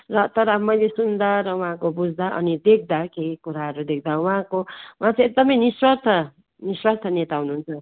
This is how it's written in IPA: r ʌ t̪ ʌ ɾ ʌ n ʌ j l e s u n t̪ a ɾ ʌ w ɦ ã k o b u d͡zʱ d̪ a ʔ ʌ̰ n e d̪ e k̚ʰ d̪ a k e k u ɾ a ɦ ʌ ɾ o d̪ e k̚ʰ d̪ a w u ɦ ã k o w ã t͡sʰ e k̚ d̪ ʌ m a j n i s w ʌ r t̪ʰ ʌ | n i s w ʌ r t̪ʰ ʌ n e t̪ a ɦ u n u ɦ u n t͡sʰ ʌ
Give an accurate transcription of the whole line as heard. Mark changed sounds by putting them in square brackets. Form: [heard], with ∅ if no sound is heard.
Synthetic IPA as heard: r ʌ t̪ ʌ ɾ ʌ [m] ʌ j l e s u n [d̪] a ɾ ʌ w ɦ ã k o b u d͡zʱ d̪ a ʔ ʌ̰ n [i] d̪ e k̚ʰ d̪ a k e k u ɾ a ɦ ʌ ɾ [u] d̪ e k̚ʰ d̪ a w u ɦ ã k o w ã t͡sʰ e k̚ d̪ ʌ m [ʌ] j n i s w ʌ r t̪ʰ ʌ | n i s w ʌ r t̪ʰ ʌ n e t̪ a ɦ u n u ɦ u n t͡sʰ ʌ

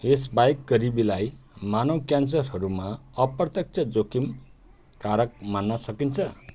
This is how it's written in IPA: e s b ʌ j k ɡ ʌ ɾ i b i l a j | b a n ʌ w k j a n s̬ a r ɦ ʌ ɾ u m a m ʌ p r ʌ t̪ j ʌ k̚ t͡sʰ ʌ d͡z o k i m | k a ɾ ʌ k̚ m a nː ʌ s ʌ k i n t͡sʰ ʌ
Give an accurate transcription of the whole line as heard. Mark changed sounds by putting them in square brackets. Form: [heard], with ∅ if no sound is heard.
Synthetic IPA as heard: e s b [a] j k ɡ ʌ ɾ i b i l a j | [m] a n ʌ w k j a n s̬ [ʌ] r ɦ ʌ ɾ u m a [∅] ʌ p r ʌ t̪ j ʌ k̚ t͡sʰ ʌ d͡z o k i m | k a ɾ ʌ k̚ m a nː ʌ s ʌ k i n t͡sʰ ʌ

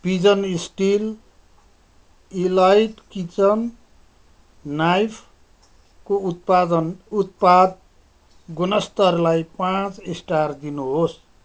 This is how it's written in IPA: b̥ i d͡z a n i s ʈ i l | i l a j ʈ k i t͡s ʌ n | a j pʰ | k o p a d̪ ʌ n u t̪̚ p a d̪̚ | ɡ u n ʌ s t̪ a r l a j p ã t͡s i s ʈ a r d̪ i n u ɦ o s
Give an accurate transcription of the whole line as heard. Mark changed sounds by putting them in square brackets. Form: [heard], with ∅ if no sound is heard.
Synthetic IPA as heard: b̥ i d͡z [ʌ] n i s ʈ i l | i l a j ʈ k i t͡s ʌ n | a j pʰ | k o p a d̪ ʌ n u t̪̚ p a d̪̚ | ɡ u n ʌ s t̪ [ʌ] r l a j p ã t͡s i s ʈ a r d̪ i n u ɦ o s

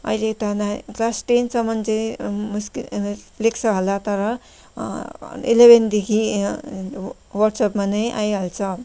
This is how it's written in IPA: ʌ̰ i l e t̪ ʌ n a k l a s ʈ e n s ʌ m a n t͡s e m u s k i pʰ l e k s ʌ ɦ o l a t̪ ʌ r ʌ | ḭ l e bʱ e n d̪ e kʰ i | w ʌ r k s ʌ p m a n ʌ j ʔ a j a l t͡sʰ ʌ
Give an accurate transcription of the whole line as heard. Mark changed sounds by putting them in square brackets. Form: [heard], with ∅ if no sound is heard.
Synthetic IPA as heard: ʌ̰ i l e t̪ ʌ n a k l a s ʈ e n s ʌ m [ʌ] n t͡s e m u s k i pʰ l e k s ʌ ɦ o l a t̪ ʌ [ɾ] ʌ | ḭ l e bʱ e n d̪ e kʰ i | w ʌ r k s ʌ p m a n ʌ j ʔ a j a l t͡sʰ ʌ

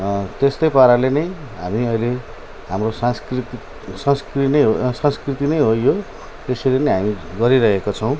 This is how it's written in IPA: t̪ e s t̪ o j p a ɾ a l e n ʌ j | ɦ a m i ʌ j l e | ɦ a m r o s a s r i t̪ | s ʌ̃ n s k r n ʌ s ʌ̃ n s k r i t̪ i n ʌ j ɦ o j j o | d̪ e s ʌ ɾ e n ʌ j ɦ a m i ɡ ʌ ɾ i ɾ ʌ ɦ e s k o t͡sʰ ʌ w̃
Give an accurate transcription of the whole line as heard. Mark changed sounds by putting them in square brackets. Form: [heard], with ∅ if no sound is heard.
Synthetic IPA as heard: t̪ e s t̪ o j p a ɾ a l e n ʌ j | ɦ a m i ʌ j l e | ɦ a m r o s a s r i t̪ | s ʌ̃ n s k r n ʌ s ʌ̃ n s k r i t̪ i n ʌ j ɦ o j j o | [t̪] e s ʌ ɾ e n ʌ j ɦ a m i ɡ ʌ ɾ i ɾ ʌ ɦ e [∅] k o t͡sʰ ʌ w̃

